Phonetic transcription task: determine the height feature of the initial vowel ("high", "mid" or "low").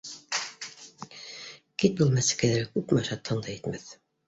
high